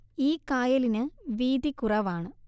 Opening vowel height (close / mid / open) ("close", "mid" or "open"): close